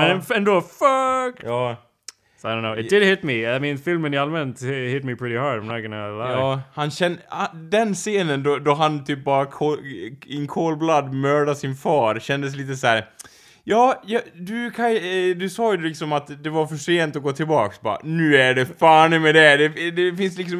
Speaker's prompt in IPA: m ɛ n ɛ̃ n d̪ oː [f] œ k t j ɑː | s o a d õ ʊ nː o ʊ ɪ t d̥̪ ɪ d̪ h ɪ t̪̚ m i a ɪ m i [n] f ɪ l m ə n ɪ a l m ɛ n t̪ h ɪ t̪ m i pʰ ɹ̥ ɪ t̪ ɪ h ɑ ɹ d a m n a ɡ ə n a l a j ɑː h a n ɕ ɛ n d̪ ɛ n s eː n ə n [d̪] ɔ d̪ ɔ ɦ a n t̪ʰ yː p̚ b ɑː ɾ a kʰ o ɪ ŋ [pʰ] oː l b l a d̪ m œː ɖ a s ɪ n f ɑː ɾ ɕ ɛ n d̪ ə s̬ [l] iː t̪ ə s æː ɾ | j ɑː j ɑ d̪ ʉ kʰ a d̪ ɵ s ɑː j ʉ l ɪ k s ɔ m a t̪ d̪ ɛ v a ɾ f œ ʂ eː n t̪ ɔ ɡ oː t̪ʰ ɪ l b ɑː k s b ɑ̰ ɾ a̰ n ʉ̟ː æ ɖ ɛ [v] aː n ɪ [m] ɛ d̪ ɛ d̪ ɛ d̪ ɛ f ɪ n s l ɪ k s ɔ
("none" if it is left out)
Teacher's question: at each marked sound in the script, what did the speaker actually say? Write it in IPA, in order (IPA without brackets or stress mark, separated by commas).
f, n, d̪, kʰ, l, f, m